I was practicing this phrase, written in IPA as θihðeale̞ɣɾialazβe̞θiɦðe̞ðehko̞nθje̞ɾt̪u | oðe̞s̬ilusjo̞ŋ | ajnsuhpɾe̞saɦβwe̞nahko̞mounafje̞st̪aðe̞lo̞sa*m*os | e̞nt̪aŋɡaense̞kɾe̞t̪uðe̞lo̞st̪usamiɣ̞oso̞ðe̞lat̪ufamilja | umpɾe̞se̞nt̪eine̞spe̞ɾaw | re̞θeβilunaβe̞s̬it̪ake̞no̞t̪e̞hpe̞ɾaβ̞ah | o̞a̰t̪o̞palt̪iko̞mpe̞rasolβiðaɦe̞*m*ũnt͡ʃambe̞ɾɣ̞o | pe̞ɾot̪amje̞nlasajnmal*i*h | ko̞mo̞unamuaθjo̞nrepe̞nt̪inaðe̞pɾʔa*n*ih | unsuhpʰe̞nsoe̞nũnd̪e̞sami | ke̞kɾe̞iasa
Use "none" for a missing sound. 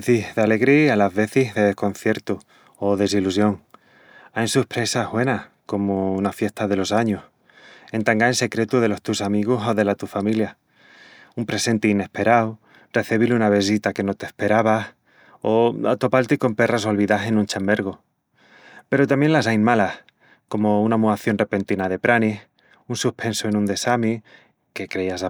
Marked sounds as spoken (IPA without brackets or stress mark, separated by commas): ɲ, n, a, n